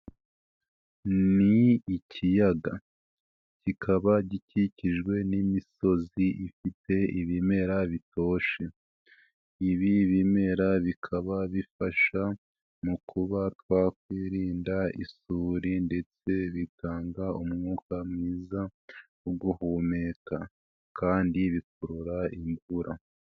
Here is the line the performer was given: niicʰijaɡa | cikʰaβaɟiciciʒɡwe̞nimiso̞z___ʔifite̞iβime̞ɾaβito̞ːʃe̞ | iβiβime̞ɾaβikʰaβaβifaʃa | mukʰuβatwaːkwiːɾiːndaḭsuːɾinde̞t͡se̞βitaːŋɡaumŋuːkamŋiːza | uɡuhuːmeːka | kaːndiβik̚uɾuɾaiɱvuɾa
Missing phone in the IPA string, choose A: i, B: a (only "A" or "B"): A